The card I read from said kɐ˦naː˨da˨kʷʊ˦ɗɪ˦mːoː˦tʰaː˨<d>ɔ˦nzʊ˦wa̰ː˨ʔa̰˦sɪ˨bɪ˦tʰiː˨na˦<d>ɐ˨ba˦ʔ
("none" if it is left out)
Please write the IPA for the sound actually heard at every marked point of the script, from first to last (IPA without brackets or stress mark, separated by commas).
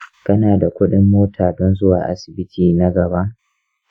d, ɡ